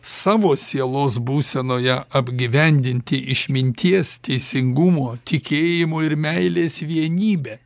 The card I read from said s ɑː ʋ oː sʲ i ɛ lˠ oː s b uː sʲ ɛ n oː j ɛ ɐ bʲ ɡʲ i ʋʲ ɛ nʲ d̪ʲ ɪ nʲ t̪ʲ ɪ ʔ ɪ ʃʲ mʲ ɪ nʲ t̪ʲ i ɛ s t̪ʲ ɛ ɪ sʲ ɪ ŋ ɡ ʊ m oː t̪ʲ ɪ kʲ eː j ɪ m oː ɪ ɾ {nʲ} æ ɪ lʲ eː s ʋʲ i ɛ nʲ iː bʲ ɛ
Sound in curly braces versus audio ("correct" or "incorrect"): incorrect